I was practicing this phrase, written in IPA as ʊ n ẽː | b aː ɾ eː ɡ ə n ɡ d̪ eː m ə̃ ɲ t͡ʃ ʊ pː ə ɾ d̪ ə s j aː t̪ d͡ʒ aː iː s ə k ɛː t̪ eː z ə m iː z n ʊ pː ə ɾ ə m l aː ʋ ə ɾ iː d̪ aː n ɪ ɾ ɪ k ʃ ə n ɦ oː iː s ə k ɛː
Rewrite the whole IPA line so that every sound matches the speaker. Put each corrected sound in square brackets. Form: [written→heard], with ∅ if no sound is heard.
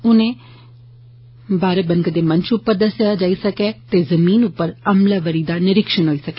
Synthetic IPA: ʊ n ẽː | b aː ɾ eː [ɡ→b] ə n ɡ d̪ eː m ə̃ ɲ t͡ʃ ʊ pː ə ɾ d̪ ə s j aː [t̪→∅] d͡ʒ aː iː s ə k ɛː t̪ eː z ə m iː [z→∅] n ʊ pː ə ɾ ə m l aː ʋ ə ɾ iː d̪ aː n ɪ ɾ ɪ k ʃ ə n ɦ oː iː s ə k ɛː